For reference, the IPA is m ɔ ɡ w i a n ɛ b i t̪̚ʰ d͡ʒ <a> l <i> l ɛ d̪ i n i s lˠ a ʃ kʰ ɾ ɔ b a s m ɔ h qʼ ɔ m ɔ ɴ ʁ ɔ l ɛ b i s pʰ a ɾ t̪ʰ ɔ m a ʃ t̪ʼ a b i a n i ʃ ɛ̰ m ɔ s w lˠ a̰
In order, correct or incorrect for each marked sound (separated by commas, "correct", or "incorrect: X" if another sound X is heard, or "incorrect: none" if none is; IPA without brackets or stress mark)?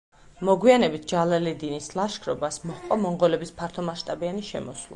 correct, incorrect: a